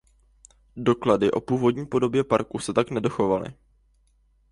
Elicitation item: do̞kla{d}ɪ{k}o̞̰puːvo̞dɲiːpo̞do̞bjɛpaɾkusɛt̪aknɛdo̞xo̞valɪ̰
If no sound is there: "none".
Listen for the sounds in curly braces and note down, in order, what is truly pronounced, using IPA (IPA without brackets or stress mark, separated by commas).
d, ʔ